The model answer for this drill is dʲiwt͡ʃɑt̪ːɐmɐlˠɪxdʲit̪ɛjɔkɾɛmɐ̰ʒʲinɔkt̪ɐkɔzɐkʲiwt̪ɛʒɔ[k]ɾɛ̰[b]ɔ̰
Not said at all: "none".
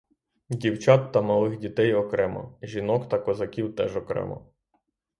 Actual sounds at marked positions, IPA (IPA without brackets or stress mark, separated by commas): k, m